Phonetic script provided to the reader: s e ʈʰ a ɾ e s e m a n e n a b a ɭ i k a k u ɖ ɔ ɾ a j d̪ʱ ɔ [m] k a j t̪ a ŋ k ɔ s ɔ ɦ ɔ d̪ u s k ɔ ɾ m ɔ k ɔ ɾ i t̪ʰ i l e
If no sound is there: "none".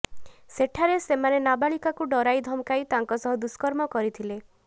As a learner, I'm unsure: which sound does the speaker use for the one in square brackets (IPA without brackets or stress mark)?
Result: m